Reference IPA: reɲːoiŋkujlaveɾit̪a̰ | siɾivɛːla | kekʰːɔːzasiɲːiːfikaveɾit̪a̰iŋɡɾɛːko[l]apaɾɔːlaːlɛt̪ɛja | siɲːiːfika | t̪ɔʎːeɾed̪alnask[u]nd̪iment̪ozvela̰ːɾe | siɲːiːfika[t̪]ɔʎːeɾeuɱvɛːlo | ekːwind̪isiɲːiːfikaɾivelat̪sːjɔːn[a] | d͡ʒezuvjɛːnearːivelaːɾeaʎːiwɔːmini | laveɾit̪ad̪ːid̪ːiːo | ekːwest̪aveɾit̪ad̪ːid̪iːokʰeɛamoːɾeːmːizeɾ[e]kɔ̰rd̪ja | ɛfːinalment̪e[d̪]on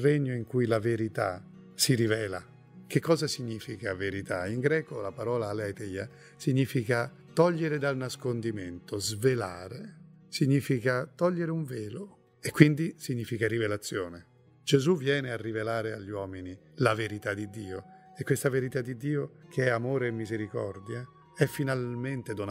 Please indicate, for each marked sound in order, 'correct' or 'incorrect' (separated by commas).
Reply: correct, incorrect, correct, incorrect, incorrect, correct